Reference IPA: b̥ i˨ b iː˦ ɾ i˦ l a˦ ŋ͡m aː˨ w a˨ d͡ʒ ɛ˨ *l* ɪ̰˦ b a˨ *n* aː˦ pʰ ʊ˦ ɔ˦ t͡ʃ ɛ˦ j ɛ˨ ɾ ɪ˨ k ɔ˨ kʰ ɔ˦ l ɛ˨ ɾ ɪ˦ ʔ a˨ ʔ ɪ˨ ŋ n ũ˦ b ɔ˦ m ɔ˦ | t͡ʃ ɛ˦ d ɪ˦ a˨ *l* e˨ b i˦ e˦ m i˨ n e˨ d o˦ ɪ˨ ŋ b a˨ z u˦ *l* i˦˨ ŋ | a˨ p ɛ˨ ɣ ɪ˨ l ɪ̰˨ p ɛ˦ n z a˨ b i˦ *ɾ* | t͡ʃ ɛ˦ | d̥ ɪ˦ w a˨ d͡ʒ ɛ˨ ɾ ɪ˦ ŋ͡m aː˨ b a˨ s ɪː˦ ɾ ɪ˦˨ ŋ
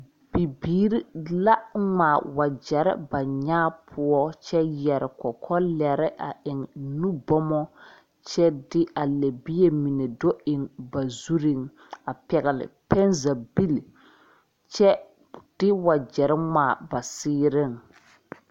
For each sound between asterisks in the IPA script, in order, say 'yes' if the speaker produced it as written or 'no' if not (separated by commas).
no, no, yes, no, no